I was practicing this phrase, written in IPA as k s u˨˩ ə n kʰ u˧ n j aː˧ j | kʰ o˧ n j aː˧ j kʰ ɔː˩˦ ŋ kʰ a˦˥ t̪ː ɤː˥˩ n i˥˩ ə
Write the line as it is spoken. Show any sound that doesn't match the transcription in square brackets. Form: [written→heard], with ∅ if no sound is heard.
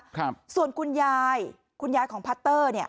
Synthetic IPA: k s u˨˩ ə n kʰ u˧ n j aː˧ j | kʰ [o˧→u˧] n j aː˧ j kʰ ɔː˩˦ ŋ [kʰ→pʰ] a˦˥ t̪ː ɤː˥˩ n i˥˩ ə